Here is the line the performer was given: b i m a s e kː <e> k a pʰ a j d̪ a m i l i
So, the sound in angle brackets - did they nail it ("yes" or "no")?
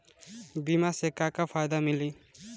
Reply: no